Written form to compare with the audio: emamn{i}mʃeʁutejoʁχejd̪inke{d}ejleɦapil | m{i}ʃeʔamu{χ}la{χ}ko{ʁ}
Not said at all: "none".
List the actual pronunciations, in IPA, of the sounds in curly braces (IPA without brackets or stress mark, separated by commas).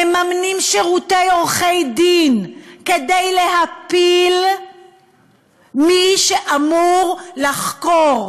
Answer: i, d, i, ʁ, χ, ʁ